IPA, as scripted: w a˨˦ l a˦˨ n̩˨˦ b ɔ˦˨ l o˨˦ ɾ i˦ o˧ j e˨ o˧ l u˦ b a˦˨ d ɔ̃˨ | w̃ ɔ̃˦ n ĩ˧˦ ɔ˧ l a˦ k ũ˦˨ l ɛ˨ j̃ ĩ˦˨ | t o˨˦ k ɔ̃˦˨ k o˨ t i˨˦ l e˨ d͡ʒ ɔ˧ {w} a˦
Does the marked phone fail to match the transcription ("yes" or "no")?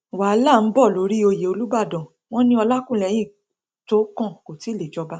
yes